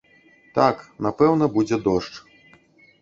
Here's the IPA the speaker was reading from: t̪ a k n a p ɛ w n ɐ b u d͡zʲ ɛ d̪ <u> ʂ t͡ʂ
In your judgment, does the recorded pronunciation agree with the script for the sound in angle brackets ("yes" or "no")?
no